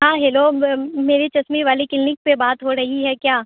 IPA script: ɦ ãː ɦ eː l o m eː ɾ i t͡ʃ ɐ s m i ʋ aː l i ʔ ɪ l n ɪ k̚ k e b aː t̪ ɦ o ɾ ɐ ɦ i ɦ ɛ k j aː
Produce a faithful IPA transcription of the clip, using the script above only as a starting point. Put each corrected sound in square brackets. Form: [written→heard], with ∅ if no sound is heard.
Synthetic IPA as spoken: ɦ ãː ɦ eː l o m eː ɾ i t͡ʃ ɐ s m i ʋ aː l i [ʔ→k] ɪ l n ɪ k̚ [k→p] e b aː t̪ ɦ o ɾ ɐ ɦ i ɦ ɛ k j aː